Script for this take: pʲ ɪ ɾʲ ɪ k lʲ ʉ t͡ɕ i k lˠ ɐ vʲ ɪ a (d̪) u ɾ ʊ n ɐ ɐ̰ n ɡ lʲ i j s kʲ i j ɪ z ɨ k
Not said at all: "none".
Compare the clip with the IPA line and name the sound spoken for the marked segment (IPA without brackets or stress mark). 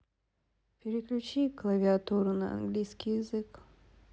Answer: t̪